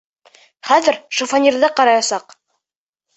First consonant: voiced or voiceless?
voiceless